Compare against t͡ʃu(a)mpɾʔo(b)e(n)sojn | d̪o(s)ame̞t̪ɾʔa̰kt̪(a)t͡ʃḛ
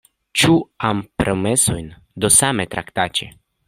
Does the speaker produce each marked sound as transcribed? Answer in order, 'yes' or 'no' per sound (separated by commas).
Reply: yes, no, no, yes, yes